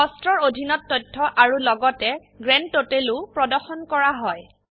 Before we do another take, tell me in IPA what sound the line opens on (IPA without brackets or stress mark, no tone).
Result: ɔ